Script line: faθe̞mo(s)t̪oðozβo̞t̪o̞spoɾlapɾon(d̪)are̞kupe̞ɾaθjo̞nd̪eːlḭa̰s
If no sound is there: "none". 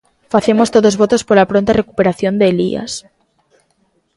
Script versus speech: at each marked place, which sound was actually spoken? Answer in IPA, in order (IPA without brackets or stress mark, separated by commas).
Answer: s, t̪